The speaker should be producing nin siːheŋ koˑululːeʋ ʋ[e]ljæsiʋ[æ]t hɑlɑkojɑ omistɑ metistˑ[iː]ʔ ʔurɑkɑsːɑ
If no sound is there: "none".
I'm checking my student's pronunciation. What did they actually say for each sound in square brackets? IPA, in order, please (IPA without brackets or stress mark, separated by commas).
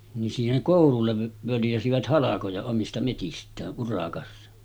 ø, æ, æː